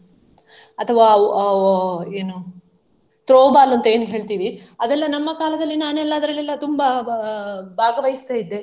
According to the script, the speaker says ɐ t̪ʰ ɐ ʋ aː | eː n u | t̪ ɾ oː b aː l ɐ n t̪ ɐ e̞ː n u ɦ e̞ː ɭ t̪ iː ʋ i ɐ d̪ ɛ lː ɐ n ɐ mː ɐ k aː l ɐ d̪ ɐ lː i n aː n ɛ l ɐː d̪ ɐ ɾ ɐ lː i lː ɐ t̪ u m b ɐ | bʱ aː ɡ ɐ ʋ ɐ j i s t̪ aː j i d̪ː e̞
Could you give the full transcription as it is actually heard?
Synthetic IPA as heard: ɐ t̪ʰ ɐ ʋ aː | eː n u | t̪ ɾ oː b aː l ɐ n t̪ ɐ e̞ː n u ɦ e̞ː ɭ t̪ iː ʋ i ɐ d̪ ɛ lː ɐ n ɐ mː ɐ k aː l ɐ d̪ ɐ lː i n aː n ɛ lː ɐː d̪ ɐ ɾ ɐ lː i lː ɐ t̪ u m b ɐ | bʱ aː ɡ ɐ ʋ ɐ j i s t̪ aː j i d̪ː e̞